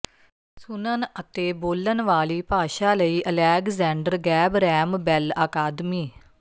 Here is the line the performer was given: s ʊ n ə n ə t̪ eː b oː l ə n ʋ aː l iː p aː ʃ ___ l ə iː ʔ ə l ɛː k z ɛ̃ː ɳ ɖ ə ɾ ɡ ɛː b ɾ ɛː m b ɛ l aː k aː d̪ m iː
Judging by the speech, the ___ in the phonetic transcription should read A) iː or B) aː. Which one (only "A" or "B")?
B